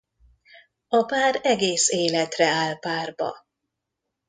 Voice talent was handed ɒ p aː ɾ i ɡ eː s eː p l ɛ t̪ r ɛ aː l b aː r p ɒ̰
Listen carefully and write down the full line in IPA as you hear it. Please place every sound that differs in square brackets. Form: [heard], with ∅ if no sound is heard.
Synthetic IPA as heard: ɒ p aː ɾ [ɛ] ɡ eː s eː [∅] l ɛ t̪ r ɛ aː l [p] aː r [b] ɒ̰